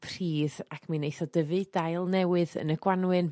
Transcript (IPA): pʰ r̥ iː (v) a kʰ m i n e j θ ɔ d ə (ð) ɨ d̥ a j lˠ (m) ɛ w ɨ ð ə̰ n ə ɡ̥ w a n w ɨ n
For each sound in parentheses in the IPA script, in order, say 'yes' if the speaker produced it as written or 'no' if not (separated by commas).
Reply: no, no, no